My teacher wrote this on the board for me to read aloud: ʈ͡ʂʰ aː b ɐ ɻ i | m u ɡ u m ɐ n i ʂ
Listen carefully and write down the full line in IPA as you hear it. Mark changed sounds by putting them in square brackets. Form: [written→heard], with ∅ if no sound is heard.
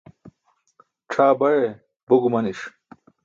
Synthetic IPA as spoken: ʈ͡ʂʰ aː b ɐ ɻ [i→e] | [m→b] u ɡ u m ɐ n i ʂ

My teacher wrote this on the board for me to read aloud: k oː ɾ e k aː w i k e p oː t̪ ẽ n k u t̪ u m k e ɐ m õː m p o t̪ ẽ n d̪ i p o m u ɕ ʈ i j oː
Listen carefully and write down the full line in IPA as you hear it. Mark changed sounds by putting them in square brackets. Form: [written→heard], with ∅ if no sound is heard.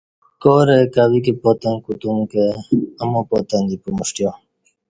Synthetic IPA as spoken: k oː ɾ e k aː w i k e p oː t̪ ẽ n k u t̪ u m k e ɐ m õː [m→∅] p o t̪ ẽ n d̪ i p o m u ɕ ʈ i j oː

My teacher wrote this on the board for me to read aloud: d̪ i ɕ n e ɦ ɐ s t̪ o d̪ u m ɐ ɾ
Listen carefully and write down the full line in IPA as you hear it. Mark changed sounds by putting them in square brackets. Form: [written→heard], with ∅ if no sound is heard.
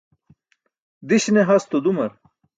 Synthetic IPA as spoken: d̪ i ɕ n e ɦ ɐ s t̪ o d̪ u m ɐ ɾ

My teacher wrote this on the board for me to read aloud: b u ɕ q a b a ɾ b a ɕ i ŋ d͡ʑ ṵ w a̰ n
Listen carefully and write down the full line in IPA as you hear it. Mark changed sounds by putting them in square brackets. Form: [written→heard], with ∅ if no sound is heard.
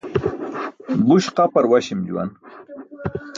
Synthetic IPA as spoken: b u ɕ q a [b→p] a ɾ [b→w] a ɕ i [ŋ→m] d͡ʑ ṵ w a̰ n

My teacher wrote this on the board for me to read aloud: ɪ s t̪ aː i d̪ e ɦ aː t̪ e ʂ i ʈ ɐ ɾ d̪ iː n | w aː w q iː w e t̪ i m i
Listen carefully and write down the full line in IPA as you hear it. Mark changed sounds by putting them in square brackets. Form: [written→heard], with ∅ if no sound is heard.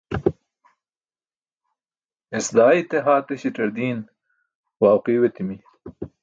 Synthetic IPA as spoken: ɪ s [t̪→d̪] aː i [d̪→t̪] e ɦ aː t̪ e [ʂ→ɕ] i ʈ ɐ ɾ d̪ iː n | w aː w q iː w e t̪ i m i

